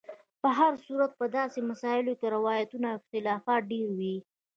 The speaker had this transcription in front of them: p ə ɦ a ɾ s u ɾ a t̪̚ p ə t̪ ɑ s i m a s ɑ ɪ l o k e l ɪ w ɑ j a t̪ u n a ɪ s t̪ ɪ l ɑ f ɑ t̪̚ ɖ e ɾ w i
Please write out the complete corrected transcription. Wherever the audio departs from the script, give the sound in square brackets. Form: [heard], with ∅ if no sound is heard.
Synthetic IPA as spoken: p ə ɦ a ɾ s u ɾ a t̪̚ p ə [d̪] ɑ s [e] m a s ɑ ɪ l o k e [ɾ] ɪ w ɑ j a t̪ u n a ɪ [x] t̪ ɪ l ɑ f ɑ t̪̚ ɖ e ɾ w i